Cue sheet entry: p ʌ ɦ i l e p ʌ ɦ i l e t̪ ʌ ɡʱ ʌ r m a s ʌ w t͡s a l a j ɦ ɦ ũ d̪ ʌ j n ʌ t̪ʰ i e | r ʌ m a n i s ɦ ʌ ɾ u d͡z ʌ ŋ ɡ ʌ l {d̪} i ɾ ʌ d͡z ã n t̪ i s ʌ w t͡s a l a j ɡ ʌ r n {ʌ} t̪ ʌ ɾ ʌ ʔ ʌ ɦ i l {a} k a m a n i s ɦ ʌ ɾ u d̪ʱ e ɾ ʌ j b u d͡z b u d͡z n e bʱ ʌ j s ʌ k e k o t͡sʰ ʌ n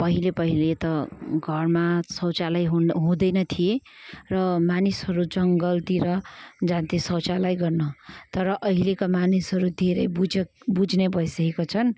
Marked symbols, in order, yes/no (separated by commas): no, yes, no